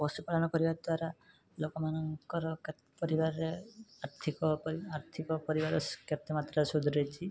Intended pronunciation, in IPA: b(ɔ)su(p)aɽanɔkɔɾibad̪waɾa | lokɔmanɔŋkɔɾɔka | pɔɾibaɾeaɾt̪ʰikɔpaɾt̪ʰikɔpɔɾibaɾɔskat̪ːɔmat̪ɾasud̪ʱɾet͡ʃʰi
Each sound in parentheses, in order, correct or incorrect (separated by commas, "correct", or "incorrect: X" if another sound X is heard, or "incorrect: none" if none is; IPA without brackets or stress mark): correct, correct